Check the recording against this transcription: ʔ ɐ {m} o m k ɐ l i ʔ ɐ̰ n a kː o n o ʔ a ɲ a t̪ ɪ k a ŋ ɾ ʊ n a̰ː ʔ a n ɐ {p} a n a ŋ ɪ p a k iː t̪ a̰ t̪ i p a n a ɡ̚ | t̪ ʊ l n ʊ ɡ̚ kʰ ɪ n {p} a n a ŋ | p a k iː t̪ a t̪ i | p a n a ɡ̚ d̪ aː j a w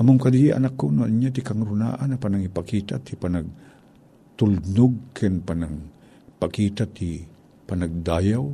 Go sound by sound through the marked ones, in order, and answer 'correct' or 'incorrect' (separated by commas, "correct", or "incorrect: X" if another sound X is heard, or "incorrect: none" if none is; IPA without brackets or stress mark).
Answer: correct, correct, correct